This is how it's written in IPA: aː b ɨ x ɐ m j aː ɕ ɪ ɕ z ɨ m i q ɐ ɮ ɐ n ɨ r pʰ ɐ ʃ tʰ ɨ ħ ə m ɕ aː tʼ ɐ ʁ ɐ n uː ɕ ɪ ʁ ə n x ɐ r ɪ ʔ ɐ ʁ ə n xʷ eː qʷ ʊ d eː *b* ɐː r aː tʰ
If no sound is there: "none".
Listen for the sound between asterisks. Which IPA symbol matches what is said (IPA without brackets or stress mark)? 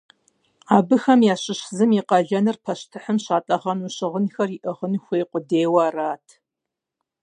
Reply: w